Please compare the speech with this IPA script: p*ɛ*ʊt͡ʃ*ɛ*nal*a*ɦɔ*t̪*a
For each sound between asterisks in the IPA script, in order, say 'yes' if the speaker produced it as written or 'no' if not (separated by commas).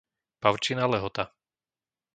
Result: no, no, no, yes